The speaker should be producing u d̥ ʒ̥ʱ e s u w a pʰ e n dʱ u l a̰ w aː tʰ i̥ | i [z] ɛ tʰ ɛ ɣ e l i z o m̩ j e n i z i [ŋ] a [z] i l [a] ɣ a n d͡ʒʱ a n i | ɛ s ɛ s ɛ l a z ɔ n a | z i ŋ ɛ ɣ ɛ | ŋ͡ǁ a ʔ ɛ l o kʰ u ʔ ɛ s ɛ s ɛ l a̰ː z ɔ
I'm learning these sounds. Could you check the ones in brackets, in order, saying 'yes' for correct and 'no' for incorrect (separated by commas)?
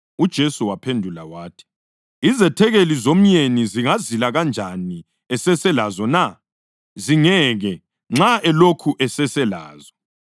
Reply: yes, yes, yes, yes